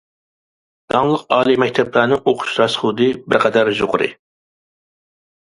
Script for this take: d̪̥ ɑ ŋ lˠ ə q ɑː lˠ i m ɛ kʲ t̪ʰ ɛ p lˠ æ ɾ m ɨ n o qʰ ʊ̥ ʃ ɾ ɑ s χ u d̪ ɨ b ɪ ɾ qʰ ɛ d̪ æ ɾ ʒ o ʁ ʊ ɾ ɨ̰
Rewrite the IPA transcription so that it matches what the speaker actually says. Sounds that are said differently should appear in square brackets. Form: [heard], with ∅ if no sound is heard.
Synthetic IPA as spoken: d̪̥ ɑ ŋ lˠ ə q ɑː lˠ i m ɛ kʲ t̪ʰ ɛ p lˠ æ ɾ [n] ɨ [ŋ] o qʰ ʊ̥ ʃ ɾ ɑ s χ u d̪ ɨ b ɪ ɾ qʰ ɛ d̪ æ ɾ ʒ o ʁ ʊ ɾ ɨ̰

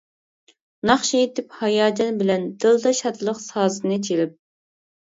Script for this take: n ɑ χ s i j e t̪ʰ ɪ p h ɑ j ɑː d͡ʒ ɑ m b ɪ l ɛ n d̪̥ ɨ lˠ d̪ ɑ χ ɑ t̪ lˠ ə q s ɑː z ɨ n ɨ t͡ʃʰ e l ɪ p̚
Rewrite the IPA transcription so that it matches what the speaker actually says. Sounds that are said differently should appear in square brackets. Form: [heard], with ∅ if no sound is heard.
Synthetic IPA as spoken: n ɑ χ [ʃ] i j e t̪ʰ ɪ p h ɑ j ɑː d͡ʒ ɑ [n] b ɪ l ɛ n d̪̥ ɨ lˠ d̪ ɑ [ʃ] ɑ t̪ lˠ ə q s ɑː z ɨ n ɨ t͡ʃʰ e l ɪ p̚

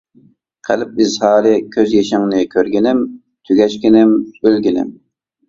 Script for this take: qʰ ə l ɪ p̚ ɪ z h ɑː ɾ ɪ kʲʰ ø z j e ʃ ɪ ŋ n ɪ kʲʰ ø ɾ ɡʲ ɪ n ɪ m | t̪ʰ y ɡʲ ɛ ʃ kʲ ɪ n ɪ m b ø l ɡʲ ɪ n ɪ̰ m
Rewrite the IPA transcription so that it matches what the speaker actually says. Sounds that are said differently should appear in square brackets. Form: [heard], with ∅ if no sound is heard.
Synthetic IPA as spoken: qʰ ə l ɪ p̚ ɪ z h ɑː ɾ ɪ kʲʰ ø z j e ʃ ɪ ŋ n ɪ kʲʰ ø ɾ ɡʲ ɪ n ɪ m | t̪ʰ y ɡʲ ɛ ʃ kʲ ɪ n ɪ m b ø l ɡʲ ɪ n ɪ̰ m

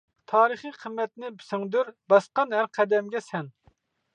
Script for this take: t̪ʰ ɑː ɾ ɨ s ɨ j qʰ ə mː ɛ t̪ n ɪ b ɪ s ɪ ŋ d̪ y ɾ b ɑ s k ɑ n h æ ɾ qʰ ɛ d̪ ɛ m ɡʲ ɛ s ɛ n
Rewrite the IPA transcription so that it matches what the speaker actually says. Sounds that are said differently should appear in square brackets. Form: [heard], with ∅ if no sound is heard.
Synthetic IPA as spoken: t̪ʰ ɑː ɾ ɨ [χ] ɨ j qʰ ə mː ɛ t̪ n ɪ b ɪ s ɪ ŋ d̪ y ɾ b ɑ s [q] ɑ n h æ ɾ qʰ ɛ d̪ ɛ m ɡʲ ɛ s ɛ n

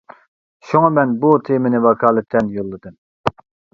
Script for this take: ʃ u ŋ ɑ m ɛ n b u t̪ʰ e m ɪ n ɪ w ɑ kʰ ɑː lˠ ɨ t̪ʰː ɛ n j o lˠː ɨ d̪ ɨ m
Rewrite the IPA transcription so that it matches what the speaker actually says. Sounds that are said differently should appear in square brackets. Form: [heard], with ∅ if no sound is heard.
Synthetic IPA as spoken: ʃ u ŋ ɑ m ɛ n b u t̪ʰ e m ɪ n ɪ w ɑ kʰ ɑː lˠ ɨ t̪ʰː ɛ n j o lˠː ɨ d̪ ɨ m

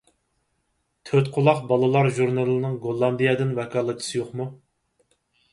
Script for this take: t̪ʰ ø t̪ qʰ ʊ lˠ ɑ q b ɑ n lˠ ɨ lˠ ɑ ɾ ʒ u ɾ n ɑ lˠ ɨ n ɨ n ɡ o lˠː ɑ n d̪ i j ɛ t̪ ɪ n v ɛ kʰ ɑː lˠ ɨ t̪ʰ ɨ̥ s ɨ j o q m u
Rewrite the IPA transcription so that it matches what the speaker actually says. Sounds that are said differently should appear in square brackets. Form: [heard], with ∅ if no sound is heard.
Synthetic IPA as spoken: t̪ʰ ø t̪ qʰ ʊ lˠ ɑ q b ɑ [∅] lˠ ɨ lˠ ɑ ɾ ʒ u ɾ n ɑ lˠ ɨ n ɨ [ŋ] ɡ o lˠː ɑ n d̪ i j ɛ [d̪] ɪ n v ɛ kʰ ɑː lˠ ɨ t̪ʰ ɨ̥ s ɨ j o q m u

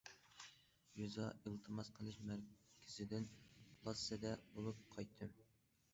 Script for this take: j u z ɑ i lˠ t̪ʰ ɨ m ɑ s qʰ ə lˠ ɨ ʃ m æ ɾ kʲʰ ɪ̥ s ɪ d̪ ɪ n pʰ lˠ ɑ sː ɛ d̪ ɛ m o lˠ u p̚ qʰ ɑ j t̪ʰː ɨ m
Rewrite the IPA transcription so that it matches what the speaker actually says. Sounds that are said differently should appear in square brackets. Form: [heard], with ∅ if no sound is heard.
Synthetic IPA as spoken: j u z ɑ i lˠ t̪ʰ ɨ m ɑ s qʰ ə lˠ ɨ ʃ m æ ɾ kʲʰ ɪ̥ [z] ɪ d̪ ɪ n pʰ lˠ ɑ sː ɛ d̪ ɛ [b] o lˠ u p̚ qʰ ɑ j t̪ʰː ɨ m

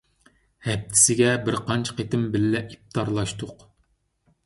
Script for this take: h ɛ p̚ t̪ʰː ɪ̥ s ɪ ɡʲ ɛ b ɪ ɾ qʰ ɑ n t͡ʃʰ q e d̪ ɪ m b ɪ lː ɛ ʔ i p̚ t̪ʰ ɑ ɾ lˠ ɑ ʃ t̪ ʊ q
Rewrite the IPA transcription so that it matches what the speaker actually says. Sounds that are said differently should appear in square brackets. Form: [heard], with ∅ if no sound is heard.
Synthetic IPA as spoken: h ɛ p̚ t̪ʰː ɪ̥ s ɪ ɡʲ ɛ b ɪ ɾ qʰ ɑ n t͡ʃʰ q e [t̪] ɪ m b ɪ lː ɛ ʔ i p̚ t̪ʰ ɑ ɾ lˠ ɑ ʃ t̪ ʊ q

